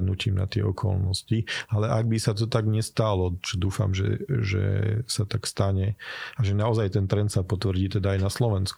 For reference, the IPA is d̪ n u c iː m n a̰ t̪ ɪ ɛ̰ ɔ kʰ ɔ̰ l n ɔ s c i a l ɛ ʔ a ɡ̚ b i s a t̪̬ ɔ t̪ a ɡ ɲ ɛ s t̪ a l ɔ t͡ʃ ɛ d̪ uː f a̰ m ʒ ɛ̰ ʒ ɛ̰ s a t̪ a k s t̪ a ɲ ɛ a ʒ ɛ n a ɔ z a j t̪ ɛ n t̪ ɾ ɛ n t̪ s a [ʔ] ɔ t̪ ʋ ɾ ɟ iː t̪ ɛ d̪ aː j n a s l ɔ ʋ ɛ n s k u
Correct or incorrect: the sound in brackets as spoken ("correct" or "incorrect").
incorrect